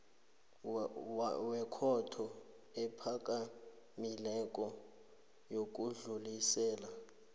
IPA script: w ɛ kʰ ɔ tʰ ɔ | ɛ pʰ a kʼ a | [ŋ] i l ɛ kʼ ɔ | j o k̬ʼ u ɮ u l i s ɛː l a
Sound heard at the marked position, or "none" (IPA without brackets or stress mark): m